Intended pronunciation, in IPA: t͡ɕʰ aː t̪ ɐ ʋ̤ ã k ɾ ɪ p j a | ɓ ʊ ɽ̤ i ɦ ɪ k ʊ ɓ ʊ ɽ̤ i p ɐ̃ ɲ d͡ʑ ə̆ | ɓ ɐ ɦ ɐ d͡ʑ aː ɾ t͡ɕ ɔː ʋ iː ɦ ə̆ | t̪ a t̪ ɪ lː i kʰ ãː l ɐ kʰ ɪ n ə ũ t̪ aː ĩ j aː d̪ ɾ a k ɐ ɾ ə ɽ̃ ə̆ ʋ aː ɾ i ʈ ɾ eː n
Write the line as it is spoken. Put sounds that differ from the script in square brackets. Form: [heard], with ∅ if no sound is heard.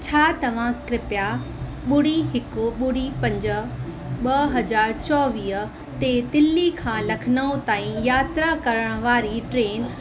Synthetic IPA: t͡ɕʰ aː t̪ ɐ ʋ̤ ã k ɾ ɪ p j a | ɓ ʊ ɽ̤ i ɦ ɪ k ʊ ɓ ʊ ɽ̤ i p ɐ̃ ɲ d͡ʑ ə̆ | ɓ ɐ ɦ ɐ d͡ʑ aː ɾ t͡ɕ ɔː ʋ iː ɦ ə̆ | t̪ [e] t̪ ɪ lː i kʰ ãː l ɐ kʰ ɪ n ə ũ t̪ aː ĩ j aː [t̪] ɾ a k ɐ ɾ ə ɽ̃ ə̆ ʋ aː ɾ i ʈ ɾ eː n